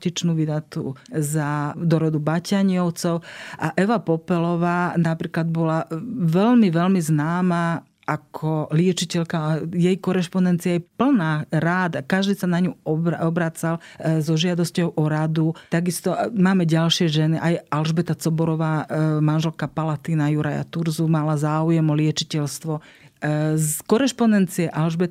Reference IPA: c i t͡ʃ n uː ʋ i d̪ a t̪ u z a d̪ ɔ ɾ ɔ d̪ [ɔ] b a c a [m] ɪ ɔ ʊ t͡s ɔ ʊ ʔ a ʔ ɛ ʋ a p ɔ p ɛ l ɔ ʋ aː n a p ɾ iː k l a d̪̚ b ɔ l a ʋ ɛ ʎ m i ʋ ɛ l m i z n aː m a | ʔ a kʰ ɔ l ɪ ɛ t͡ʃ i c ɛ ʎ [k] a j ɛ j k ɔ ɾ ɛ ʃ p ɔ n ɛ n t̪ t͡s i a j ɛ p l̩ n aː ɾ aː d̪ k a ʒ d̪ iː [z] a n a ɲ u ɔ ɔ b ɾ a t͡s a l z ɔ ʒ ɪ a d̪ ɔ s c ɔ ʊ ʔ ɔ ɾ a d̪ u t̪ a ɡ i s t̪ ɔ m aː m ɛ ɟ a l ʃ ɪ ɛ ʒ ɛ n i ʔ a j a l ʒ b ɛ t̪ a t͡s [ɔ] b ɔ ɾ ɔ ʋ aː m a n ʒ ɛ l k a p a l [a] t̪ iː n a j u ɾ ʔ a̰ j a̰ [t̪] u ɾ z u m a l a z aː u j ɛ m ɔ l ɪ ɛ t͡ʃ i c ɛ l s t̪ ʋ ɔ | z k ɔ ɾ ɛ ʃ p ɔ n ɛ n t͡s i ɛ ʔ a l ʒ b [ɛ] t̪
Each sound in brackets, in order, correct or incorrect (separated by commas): incorrect, incorrect, correct, incorrect, correct, correct, correct, correct